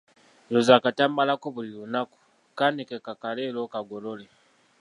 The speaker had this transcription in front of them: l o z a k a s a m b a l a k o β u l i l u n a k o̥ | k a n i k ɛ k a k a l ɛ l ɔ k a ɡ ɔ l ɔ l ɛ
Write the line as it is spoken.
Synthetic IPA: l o z a k a t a m b a l a k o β u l i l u n a k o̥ | k a n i k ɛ k a k a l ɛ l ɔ k a ɡ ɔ l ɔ l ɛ